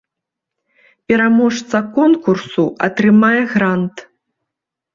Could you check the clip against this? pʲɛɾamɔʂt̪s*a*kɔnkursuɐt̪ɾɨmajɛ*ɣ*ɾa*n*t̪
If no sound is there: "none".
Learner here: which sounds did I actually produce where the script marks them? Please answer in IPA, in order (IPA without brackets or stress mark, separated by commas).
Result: ɐ, ɣ, n